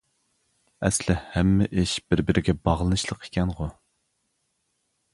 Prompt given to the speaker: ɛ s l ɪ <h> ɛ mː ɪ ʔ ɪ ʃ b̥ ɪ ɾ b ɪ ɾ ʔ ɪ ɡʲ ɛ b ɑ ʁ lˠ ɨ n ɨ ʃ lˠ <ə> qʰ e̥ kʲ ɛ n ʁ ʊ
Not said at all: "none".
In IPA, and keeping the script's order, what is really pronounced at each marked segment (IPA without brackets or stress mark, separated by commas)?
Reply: h, ə